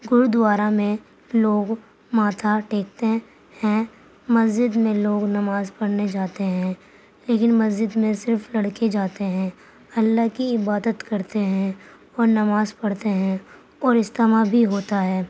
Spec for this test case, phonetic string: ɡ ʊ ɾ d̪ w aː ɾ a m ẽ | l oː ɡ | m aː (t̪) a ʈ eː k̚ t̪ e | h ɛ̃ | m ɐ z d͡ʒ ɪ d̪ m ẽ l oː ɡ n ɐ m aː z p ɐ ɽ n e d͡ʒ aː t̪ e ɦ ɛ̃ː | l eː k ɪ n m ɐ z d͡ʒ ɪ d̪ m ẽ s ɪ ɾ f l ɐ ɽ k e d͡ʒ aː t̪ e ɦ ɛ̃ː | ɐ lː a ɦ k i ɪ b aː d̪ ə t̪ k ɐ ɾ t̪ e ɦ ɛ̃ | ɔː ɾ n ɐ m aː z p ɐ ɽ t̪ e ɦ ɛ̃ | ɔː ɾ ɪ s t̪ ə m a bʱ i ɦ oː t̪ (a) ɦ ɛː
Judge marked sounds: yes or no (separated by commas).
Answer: no, yes